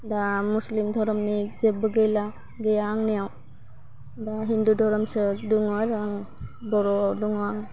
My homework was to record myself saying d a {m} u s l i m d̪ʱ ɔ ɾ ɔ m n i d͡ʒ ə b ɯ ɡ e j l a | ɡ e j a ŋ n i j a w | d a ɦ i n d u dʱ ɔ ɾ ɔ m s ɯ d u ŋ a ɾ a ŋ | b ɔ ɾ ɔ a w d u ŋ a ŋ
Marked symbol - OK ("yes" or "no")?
yes